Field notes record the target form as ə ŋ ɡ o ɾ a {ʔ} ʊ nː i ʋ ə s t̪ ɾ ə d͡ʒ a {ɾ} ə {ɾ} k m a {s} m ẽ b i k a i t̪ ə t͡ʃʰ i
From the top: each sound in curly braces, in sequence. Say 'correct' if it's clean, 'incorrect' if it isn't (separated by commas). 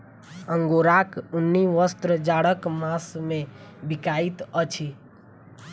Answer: incorrect, incorrect, incorrect, correct